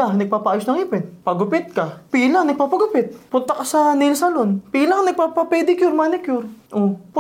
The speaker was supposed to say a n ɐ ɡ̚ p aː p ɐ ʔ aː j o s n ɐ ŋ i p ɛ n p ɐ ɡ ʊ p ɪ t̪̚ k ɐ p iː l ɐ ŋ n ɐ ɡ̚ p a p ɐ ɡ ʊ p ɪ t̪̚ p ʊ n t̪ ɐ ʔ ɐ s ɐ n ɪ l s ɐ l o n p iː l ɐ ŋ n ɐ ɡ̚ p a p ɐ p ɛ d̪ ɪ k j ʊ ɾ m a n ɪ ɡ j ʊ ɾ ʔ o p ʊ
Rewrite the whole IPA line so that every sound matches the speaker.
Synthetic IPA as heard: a n ɐ ɡ̚ p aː p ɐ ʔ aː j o s n ɐ ŋ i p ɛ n p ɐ ɡ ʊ p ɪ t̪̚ k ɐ p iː l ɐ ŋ n ɐ ɡ̚ p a p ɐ ɡ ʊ p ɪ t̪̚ p ʊ n t̪ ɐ k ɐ s ɐ n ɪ l s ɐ l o n p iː l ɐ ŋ n ɐ ɡ̚ p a p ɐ p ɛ d̪ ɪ k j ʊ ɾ m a n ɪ k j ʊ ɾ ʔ o p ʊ